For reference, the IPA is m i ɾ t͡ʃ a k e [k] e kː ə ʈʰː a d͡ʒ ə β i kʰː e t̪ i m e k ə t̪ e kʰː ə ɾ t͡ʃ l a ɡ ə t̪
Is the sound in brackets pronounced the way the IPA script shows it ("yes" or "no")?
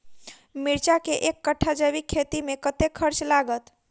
no